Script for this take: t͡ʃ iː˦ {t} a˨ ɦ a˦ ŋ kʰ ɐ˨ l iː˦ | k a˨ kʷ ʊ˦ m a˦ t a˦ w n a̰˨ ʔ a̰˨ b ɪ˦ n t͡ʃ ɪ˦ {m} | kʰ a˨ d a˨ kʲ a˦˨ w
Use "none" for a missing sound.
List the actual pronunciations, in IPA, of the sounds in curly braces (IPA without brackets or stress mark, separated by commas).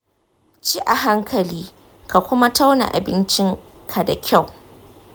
ʔ, ŋ